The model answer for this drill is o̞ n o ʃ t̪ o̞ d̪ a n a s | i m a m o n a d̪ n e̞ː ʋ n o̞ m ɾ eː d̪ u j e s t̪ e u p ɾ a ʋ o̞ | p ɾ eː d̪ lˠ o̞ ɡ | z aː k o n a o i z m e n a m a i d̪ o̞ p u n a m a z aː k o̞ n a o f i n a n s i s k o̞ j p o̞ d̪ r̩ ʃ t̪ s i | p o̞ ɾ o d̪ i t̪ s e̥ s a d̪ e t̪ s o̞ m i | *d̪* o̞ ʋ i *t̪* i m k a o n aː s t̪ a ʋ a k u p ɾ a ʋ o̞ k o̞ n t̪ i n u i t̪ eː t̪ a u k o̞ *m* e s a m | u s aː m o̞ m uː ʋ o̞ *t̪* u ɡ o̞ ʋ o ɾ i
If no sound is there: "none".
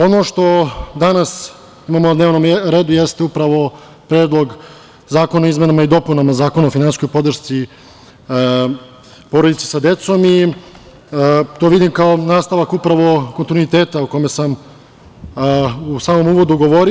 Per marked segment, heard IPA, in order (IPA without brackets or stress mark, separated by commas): t̪, d̪, m, d̪